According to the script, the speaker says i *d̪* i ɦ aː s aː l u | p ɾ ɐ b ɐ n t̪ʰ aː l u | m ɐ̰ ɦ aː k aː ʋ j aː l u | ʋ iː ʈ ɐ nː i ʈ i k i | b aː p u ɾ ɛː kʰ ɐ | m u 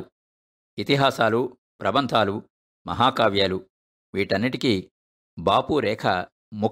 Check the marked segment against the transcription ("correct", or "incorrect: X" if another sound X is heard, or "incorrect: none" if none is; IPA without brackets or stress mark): incorrect: t̪